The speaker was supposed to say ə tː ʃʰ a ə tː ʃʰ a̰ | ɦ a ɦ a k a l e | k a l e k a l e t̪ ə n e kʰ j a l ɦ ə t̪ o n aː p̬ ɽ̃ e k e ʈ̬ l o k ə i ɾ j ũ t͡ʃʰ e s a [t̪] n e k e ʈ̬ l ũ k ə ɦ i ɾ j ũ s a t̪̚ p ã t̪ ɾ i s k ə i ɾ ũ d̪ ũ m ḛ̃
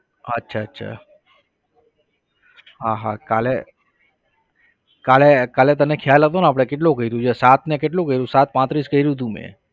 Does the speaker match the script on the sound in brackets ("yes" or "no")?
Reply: yes